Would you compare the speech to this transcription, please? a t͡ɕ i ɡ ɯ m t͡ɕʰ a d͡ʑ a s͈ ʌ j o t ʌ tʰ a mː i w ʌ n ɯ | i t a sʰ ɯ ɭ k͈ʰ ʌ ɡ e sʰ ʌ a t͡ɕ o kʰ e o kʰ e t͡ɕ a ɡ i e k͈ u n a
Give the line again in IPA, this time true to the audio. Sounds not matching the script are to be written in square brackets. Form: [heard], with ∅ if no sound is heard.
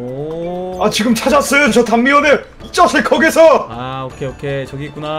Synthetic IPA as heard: a t͡ɕ i ɡ ɯ m t͡ɕʰ a d͡ʑ a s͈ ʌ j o [t͡ɕ] ʌ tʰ a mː i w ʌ n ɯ | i [t͡ɕ͈] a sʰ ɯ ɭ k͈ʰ ʌ ɡ e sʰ ʌ a [∅] o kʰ e o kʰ e t͡ɕ [ʌ] ɡ i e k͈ u n a